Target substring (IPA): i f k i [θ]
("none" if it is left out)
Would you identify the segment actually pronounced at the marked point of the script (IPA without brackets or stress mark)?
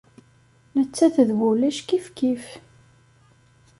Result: f